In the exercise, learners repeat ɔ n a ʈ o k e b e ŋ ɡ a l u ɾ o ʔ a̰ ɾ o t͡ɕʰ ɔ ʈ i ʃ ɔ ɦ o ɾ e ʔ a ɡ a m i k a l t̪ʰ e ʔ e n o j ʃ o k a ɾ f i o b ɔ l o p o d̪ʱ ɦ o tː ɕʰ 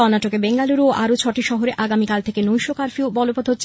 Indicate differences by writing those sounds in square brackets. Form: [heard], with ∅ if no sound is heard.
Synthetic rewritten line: ɔ n a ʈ o k e b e ŋ ɡ a l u ɾ o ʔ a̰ ɾ o t͡ɕʰ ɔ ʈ i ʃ ɔ ɦ o ɾ e ʔ a ɡ a m i k a l t̪ʰ e [k] e n o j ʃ o k a ɾ f i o b ɔ l o p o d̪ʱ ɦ o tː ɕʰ